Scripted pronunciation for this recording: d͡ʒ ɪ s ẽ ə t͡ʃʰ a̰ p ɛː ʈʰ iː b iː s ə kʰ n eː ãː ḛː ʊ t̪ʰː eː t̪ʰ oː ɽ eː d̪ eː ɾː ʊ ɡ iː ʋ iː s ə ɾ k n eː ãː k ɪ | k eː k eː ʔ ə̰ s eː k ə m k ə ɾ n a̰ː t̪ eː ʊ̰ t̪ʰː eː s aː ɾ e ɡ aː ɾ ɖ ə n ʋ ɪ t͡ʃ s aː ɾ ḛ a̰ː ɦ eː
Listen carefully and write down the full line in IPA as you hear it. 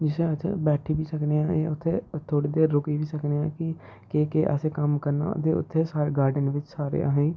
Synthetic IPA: d͡ʒ ɪ s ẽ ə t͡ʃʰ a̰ b ɛː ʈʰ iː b iː s ə k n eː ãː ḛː ʊ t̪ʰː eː t̪ʰ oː ɽ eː d̪ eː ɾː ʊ k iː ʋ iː s ə k n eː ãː k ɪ | k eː k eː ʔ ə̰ s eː k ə m k ə ɾ n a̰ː t̪ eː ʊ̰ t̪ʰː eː s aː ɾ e ɡ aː ɾ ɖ ə n ʋ ɪ t͡ʃ s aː ɾ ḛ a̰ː ɦ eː